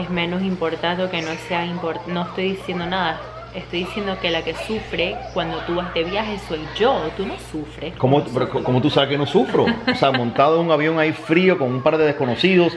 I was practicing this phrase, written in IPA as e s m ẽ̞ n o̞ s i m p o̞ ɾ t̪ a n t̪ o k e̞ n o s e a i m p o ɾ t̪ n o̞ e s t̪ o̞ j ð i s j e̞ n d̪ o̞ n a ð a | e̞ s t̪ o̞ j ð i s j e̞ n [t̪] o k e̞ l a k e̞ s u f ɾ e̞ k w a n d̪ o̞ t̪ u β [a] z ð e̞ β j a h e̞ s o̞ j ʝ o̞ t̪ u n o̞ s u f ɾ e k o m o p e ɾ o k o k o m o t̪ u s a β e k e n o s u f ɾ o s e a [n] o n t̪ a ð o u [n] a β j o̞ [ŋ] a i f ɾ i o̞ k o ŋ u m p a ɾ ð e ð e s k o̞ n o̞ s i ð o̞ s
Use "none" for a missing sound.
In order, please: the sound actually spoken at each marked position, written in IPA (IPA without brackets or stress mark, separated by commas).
d̪, a, m, ŋ, ŋ